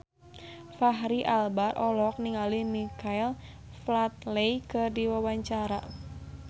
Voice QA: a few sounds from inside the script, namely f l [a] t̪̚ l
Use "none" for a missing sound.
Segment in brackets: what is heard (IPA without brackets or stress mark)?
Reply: a